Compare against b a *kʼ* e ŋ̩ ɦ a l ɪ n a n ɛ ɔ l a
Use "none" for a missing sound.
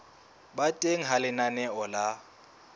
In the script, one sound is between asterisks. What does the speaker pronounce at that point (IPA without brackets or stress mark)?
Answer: tʼ